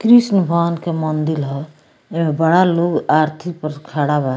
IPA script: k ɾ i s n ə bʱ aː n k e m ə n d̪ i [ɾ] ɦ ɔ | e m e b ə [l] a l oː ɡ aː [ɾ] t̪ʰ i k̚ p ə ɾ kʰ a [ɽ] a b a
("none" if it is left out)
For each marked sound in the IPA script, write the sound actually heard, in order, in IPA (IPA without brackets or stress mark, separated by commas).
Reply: l, ɽ, ɾ, ɽ